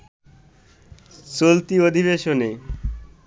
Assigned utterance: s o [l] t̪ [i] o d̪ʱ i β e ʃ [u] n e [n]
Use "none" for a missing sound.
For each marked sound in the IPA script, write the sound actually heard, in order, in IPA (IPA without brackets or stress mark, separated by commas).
l, i, o, none